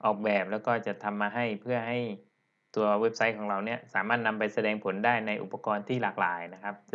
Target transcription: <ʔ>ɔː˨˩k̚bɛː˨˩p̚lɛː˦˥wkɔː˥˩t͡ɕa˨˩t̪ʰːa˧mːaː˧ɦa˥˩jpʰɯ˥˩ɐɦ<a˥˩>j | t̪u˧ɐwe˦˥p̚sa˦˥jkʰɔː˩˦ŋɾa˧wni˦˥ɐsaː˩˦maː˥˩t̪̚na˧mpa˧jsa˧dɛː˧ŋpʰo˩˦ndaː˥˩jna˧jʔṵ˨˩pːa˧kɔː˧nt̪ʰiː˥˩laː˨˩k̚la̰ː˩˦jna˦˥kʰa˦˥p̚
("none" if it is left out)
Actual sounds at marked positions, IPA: ʔ, a˥˩

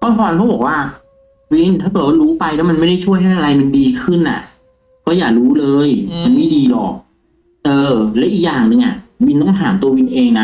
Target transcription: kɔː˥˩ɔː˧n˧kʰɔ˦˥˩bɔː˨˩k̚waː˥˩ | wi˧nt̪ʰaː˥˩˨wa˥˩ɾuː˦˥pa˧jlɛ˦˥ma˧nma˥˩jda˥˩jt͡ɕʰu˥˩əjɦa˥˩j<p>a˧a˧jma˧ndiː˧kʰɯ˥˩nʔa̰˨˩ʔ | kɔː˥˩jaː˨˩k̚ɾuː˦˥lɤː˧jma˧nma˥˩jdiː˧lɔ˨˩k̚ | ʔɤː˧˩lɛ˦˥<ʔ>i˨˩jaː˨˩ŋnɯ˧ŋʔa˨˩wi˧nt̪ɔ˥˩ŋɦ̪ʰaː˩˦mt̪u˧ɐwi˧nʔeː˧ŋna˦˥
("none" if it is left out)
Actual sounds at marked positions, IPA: ʔ, ʔ

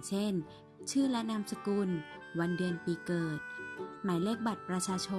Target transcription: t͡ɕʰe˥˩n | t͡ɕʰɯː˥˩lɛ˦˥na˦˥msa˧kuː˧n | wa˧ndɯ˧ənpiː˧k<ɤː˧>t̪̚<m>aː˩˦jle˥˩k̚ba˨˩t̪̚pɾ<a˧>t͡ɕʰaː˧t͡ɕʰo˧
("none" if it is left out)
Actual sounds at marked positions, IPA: ɤː˨˩, m, a˧

